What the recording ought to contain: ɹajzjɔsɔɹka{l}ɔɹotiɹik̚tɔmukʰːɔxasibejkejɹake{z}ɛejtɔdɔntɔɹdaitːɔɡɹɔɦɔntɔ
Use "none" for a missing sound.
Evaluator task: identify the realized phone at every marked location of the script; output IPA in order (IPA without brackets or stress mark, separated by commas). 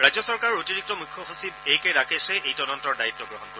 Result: ɹ, s